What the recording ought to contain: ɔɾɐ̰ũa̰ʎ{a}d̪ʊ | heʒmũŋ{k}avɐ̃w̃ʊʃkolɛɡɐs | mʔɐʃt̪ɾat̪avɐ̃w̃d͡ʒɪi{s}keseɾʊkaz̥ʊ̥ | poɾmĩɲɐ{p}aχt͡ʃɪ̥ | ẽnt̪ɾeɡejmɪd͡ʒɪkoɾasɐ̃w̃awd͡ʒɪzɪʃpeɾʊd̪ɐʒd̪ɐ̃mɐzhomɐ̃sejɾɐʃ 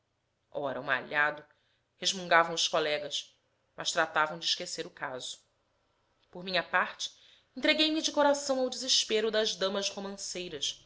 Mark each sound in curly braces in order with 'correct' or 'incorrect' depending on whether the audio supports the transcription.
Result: correct, incorrect: ɡ, incorrect: ʃ, correct

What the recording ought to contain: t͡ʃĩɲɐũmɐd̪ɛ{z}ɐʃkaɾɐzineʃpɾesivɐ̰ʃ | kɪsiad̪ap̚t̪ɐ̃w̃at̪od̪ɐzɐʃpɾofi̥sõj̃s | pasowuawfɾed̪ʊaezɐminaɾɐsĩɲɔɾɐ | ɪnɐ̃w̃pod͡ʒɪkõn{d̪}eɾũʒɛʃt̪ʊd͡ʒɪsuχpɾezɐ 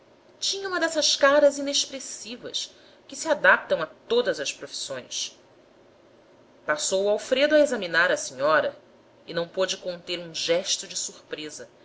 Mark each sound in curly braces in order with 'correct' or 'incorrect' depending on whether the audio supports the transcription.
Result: incorrect: s, incorrect: t̪

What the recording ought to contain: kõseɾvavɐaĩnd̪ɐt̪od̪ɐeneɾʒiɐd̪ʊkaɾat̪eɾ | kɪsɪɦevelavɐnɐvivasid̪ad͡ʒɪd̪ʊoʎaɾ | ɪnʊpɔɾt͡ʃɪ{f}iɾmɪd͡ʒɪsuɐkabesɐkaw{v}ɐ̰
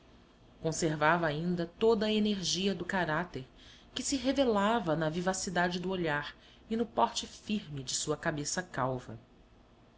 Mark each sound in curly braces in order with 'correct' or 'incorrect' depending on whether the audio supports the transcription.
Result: correct, correct

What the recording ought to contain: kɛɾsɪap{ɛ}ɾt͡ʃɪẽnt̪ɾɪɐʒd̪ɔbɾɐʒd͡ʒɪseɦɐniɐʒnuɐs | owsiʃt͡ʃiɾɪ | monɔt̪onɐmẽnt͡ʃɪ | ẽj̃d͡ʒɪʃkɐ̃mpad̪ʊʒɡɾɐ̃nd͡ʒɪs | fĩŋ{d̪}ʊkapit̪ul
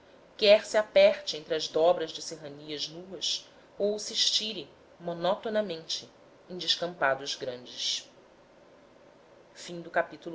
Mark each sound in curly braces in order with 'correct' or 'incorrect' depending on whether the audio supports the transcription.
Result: correct, correct

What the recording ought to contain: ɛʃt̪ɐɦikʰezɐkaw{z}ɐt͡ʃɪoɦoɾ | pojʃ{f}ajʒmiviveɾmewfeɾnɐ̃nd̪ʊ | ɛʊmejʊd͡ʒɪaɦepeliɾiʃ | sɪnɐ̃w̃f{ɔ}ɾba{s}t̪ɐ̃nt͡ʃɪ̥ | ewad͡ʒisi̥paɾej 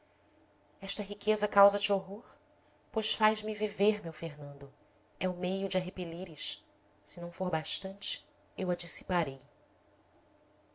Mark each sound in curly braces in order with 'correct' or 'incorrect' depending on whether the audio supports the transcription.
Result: correct, correct, incorrect: o, incorrect: ʃ

